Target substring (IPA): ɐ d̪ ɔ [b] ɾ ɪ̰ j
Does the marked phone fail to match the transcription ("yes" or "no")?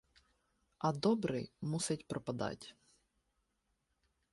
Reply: no